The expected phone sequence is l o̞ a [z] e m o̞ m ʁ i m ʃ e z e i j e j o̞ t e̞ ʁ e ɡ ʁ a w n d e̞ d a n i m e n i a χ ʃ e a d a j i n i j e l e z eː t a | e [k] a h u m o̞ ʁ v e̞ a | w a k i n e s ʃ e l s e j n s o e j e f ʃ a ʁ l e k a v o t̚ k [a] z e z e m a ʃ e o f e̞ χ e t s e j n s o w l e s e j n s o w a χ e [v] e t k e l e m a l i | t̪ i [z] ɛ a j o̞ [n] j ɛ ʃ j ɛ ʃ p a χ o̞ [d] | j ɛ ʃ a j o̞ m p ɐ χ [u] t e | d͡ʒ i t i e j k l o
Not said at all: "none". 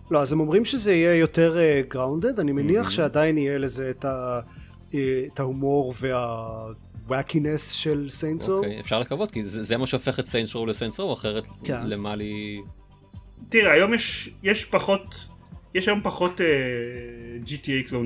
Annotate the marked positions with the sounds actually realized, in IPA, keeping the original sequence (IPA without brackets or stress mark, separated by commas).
z, t, i, ʁ, ʁ, m, t, o